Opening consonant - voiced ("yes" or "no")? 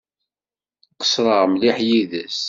no